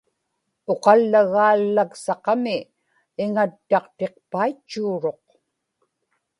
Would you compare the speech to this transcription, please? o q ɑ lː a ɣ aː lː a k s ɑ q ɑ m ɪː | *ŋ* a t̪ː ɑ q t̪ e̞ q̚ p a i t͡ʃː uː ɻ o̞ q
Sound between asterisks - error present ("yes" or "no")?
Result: no